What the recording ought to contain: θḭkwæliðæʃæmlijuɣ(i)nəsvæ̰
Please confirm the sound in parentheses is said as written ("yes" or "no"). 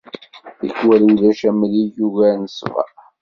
no